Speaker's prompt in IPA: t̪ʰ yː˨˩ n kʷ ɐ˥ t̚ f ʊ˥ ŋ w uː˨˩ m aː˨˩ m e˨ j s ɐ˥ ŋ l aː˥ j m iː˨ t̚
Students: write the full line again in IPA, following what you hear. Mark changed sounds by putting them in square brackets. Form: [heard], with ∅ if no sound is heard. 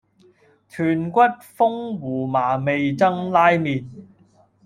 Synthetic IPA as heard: t̪ʰ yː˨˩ n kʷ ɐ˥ t̚ f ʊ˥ ŋ w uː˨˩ m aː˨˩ m e˨ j [t͡s] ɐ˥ ŋ l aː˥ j m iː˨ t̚